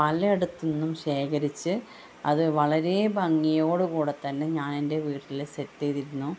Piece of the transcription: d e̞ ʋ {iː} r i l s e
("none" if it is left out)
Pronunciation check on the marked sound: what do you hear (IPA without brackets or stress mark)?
iː